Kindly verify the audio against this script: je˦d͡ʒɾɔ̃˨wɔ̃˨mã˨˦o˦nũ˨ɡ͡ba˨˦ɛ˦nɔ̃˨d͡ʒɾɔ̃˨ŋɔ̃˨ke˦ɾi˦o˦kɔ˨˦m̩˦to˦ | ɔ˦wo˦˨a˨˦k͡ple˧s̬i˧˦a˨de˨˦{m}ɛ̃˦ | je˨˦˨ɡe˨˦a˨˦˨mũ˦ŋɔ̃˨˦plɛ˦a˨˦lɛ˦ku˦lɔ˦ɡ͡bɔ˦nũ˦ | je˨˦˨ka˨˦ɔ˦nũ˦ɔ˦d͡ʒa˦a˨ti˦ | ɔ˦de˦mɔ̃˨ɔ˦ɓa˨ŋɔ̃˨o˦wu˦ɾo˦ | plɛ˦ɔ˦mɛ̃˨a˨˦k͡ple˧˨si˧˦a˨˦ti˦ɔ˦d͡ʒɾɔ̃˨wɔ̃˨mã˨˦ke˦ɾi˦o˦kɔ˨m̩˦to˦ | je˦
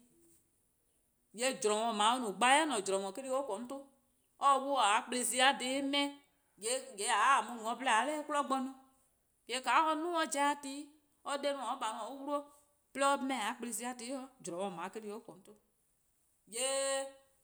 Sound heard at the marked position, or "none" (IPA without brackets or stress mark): m